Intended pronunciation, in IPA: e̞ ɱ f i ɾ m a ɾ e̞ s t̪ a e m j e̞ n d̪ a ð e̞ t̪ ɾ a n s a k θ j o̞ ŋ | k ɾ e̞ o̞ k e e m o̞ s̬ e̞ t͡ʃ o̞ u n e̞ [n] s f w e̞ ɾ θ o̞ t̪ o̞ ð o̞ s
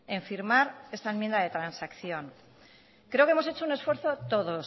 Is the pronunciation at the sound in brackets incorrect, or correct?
incorrect